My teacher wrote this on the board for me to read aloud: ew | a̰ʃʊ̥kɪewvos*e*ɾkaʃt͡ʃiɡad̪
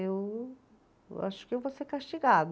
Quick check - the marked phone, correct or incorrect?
correct